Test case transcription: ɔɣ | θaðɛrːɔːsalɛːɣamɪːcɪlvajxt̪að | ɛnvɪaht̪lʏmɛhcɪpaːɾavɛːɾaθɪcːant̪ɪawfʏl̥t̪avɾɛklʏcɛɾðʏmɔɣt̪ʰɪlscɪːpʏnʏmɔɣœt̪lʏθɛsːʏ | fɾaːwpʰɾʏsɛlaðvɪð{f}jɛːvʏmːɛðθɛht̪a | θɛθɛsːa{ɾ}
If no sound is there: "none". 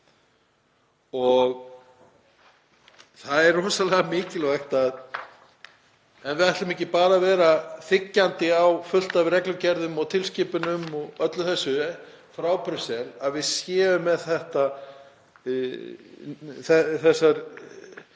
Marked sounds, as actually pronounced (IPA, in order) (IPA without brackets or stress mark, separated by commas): s, ɾ